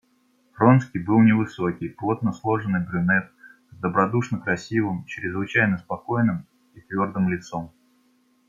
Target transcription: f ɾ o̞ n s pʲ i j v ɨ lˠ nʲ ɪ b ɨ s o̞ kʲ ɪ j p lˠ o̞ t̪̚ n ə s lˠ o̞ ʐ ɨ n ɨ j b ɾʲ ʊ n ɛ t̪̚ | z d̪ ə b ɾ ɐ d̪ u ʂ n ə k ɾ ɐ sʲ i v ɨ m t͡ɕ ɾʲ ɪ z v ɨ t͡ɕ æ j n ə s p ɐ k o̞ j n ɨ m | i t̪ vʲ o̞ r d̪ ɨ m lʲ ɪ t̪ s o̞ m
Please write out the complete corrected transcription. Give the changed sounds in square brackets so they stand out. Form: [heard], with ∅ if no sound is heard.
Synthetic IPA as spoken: f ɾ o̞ n s [kʲ] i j [b] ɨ lˠ nʲ ɪ [v] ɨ s o̞ kʲ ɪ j p lˠ o̞ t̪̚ n ə s lˠ o̞ ʐ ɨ n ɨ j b ɾʲ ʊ n ɛ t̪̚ | z d̪ ə b ɾ ɐ d̪ u ʂ n ə k ɾ ɐ sʲ i v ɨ m t͡ɕ ɾʲ ɪ z v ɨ t͡ɕ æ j n ə s p ɐ k o̞ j n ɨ m | i t̪ vʲ o̞ r d̪ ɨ m lʲ ɪ t̪ s o̞ m